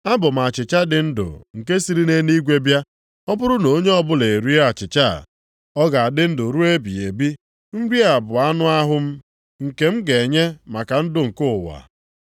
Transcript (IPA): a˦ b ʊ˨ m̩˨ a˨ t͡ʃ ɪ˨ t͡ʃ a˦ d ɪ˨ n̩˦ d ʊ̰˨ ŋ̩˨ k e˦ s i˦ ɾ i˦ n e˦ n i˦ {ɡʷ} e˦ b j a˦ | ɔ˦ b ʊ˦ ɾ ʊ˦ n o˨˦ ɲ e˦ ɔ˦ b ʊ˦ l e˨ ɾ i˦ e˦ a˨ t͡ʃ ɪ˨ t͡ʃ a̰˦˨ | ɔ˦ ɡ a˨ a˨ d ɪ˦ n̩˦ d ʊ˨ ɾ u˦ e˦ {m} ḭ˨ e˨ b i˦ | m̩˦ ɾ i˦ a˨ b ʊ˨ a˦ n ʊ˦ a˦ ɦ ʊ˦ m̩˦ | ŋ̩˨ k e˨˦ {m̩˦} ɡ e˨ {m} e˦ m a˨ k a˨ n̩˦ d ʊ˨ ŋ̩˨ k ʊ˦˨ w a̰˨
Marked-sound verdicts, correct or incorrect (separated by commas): correct, incorrect, correct, incorrect